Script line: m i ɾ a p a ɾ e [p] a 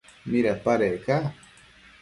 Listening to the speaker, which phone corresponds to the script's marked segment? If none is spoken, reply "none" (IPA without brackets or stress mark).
k